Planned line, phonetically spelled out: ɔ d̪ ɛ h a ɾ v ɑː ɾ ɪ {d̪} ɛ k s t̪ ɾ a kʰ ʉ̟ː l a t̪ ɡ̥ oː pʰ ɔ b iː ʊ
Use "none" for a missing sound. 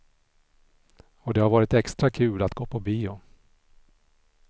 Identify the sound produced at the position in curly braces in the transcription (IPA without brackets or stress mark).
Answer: t̪